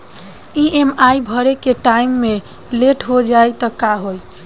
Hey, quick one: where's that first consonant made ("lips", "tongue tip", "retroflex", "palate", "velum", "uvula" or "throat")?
lips